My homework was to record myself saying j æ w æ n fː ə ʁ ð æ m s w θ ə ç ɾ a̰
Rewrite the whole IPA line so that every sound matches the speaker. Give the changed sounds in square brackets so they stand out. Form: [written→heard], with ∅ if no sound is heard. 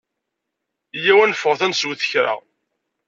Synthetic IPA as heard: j æ w æ n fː ə ʁ [ð→θ] æ [m→n] s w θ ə ç ɾ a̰